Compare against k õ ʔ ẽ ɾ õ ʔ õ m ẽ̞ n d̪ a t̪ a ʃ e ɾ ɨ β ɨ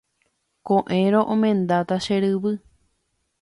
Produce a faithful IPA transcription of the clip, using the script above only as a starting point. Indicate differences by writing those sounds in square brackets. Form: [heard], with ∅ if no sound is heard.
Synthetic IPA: k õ ʔ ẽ ɾ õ ʔ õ m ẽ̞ n d̪ a t̪ a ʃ e ɾ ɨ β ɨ